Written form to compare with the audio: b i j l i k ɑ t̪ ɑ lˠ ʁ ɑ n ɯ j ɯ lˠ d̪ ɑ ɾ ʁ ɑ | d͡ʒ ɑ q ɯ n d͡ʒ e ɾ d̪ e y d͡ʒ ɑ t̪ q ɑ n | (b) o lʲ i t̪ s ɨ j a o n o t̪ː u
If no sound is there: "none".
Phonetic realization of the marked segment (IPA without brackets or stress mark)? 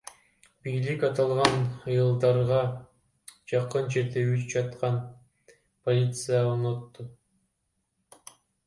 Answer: p